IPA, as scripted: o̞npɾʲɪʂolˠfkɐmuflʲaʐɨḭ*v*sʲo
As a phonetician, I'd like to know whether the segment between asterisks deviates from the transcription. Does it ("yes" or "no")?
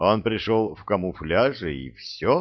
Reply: yes